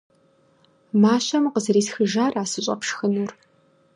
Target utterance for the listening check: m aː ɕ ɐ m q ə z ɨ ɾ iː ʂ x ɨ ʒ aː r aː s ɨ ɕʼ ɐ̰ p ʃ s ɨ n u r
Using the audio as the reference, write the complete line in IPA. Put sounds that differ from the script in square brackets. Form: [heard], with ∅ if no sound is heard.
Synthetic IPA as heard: m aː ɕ ɐ m q ə z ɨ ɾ iː [s] x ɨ ʒ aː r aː s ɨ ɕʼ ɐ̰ p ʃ [x] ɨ n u r